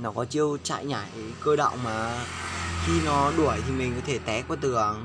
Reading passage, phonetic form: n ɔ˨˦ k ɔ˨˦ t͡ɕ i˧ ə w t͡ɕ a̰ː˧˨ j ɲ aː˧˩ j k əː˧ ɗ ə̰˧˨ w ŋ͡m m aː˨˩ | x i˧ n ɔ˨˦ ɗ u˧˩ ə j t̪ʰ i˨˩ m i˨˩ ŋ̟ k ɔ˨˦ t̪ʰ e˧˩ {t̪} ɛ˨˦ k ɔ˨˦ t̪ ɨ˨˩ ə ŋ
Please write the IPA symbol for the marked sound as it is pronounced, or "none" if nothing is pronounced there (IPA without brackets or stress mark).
t̪